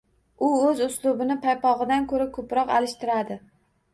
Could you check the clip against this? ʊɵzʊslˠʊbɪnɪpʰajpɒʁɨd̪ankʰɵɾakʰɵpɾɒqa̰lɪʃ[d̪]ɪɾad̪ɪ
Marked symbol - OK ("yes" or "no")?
no